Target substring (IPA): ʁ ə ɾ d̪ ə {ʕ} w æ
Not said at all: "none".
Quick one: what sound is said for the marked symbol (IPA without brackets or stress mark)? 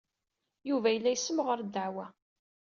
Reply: ʕ